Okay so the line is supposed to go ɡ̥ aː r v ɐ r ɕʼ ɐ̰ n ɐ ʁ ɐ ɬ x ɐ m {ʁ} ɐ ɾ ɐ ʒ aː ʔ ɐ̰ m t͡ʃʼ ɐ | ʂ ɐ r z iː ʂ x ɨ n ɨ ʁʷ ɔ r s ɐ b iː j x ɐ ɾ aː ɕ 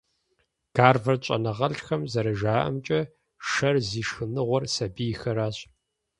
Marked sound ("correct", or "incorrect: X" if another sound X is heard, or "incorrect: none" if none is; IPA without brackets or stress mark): incorrect: z